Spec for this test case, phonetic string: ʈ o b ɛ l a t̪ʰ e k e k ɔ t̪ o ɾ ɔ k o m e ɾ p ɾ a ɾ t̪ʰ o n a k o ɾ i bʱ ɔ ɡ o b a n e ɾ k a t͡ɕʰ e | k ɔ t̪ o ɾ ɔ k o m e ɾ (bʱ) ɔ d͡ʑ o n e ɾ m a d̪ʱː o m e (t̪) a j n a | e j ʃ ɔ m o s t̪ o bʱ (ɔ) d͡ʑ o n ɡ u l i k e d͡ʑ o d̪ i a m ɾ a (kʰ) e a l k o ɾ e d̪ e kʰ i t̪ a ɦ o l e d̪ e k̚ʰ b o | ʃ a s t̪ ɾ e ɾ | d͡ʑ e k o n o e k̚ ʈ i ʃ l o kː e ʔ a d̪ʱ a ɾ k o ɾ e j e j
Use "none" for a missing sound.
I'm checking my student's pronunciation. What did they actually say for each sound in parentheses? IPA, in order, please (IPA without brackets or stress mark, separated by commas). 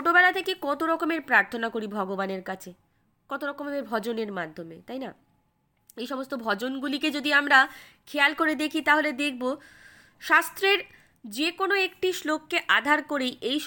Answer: bʱ, t̪, ɔ, kʰ